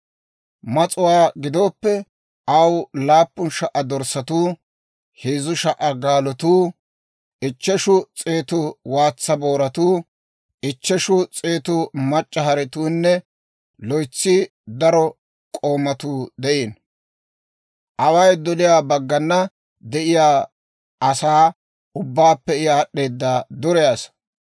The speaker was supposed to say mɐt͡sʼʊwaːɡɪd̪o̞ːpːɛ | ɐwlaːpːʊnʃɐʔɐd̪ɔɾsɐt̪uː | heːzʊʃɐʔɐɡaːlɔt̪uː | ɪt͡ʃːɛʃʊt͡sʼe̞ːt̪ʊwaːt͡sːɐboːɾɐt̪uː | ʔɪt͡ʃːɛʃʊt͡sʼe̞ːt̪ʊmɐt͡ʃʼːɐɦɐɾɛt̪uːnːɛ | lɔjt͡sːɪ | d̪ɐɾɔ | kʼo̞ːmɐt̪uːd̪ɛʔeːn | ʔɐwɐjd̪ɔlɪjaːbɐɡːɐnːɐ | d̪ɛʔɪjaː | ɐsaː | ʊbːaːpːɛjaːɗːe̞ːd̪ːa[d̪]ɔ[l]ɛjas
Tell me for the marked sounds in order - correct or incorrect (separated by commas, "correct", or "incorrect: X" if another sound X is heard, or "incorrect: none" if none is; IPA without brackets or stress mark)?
correct, incorrect: ɾ